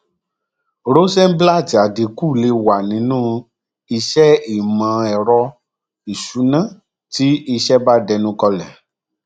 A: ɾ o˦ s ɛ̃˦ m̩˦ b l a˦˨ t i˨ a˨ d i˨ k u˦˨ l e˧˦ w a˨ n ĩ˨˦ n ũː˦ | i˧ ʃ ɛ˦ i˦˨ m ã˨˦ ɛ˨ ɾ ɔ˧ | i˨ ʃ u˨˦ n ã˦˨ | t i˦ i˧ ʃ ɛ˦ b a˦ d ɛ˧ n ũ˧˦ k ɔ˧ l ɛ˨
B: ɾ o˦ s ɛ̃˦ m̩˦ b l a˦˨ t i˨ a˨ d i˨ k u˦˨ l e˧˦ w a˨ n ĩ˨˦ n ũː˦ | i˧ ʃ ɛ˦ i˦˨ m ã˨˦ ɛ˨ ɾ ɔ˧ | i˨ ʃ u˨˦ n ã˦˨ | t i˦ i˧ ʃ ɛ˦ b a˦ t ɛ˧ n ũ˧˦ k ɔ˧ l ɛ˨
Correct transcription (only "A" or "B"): A